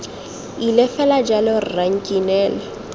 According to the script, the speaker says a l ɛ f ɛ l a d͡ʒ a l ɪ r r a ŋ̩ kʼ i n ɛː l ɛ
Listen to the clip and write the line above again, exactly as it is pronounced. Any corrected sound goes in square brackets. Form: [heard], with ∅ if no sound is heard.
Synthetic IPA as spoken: [i] l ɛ f ɛ l a d͡ʒ a l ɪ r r a ŋ̩ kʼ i n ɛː l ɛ